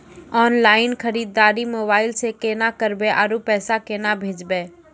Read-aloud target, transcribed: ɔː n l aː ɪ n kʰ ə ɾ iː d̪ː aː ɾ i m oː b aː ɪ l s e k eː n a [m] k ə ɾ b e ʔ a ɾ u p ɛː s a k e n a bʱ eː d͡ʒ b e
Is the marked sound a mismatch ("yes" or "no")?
yes